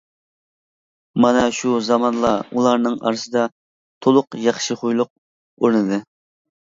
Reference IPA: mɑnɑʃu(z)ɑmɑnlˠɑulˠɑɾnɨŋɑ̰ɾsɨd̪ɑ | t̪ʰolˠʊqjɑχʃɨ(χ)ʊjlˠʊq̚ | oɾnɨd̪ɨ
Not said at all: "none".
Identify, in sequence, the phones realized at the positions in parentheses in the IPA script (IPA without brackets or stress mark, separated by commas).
z, χ